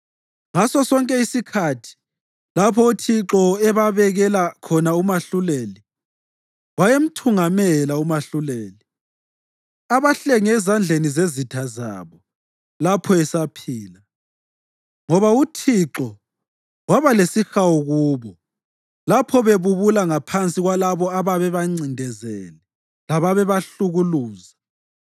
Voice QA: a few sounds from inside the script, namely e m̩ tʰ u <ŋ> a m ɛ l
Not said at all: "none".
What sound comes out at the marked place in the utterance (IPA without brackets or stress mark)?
ŋ